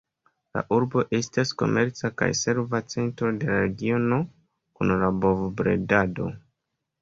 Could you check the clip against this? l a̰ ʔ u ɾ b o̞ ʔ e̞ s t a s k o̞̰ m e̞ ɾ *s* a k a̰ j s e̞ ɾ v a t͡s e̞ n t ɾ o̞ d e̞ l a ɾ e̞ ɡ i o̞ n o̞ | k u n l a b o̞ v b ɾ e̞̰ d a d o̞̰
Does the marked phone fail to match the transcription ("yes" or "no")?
yes